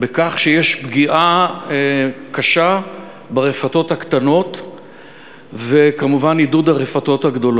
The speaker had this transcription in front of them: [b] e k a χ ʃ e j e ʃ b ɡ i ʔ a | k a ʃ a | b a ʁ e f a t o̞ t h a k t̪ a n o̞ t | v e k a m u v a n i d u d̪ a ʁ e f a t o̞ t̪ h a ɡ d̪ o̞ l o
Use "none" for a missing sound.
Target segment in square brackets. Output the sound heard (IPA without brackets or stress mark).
b